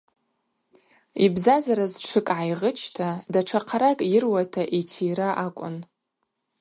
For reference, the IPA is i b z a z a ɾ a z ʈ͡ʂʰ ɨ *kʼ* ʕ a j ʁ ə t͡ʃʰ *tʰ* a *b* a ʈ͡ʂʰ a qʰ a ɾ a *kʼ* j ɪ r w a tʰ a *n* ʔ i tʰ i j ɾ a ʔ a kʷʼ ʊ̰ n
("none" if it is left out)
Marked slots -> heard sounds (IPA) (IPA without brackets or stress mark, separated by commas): kʼ, tʰ, d, kʼ, none